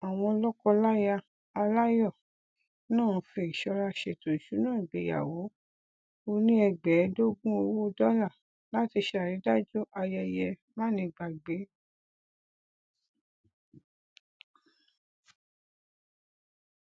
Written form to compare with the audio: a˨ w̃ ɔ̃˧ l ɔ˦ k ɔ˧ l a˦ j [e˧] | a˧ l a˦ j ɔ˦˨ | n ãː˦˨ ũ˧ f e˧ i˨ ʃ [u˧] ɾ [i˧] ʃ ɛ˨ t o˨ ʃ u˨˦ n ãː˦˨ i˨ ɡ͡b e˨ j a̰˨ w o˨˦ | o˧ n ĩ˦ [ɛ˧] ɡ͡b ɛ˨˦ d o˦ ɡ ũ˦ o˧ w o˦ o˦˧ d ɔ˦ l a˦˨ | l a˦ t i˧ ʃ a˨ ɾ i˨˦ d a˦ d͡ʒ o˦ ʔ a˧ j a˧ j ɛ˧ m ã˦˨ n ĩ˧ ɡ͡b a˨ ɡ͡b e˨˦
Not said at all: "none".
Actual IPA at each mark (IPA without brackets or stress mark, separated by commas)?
a˧, ɔ˧, a˧, ɛ˧